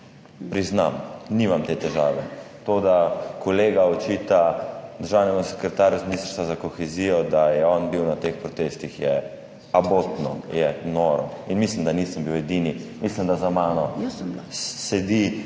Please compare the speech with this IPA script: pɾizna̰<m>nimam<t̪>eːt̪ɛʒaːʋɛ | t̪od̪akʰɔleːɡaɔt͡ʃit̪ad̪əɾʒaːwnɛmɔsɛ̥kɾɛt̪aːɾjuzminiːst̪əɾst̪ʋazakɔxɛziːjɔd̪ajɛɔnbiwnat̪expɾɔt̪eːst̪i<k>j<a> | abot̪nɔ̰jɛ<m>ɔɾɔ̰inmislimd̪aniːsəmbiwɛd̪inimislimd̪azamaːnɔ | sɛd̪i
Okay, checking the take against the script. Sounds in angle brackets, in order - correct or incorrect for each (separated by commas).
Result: correct, correct, incorrect, incorrect, incorrect